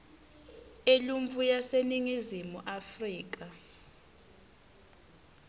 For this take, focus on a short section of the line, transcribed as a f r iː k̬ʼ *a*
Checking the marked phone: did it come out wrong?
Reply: no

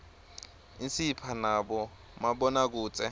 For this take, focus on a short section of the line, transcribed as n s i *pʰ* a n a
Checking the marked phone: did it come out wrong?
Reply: no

